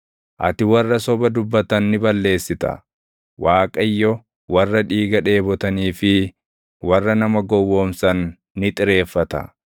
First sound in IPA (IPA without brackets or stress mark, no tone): ʔ